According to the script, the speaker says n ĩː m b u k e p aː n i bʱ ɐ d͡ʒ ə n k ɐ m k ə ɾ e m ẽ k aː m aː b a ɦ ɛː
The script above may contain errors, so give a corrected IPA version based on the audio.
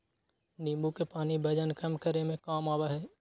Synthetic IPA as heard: n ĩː m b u k e p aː n i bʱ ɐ d͡ʒ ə n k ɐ m k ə ɾ e m ẽ k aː m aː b a ɦ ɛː